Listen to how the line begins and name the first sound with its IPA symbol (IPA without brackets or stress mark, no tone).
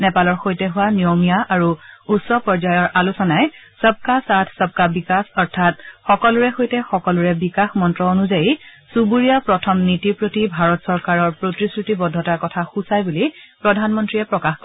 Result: n